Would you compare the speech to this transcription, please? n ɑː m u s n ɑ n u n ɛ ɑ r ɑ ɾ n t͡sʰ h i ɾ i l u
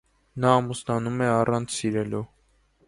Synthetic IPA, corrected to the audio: n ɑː m u s n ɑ n u m ɛ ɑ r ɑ n t͡sʰ s i ɾ ɛ l u